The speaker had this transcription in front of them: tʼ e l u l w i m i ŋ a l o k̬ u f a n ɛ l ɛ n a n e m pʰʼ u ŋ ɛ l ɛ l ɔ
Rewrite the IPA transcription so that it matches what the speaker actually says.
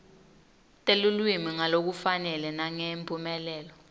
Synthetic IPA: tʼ e l u l w i m i ŋ a l o k̬ u f a n ɛ l ɛ n a ŋ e m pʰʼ u m ɛ l ɛː l ɔ